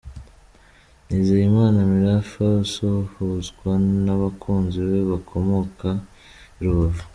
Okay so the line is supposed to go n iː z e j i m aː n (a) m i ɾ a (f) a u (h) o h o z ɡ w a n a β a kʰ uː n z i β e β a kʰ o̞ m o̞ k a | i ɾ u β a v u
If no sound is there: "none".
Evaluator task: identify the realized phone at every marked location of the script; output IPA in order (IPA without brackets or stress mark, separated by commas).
a, f, s